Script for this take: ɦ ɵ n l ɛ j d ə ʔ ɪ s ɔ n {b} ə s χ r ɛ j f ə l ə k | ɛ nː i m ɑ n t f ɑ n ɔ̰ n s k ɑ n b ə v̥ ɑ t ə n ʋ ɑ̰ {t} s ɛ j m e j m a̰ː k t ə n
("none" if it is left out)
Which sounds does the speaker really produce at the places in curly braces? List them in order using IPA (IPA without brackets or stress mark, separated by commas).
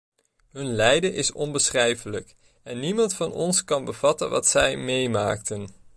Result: b, t